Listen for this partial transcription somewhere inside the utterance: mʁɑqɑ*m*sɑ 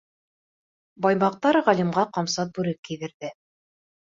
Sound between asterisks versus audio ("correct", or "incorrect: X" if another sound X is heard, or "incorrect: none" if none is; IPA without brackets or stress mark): correct